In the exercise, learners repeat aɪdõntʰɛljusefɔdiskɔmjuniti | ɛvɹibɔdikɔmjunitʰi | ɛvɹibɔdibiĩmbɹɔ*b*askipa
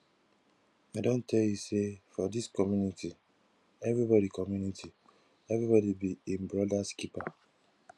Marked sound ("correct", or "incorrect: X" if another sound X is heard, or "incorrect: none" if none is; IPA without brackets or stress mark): incorrect: d